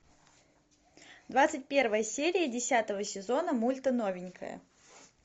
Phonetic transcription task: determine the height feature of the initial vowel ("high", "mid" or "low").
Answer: low